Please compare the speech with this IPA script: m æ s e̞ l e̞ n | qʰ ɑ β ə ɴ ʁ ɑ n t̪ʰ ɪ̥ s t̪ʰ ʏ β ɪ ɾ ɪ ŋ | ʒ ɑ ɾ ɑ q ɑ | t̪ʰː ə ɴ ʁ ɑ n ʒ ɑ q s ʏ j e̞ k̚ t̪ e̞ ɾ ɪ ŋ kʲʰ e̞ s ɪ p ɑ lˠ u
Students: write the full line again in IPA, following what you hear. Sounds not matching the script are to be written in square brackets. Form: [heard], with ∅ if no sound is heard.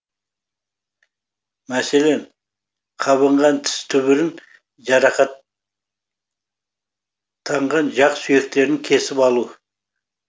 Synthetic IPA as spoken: m æ s e̞ l e̞ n | qʰ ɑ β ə ɴ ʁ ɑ n t̪ʰ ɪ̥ s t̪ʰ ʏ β ɪ ɾ ɪ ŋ | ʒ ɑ ɾ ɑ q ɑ | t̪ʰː [ɑ] ɴ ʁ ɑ n ʒ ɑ q s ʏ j e̞ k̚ t̪ e̞ ɾ ɪ ŋ kʲʰ e̞ s ɪ p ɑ lˠ u